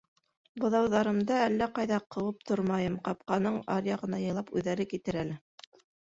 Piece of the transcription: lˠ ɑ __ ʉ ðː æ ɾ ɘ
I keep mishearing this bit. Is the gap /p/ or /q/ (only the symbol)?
p